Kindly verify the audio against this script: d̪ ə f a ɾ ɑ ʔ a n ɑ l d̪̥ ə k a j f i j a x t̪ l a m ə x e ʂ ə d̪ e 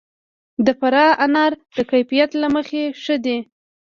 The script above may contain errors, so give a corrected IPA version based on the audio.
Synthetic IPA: d̪ ə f a ɾ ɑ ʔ a n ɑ ɾ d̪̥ ə k a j f i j a t̪ l a m ə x e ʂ ə d̪ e